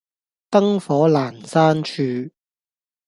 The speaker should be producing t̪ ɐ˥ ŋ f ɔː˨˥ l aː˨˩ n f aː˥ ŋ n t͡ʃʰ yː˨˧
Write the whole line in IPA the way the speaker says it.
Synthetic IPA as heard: t̪ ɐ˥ ŋ f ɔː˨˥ l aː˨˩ n s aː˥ n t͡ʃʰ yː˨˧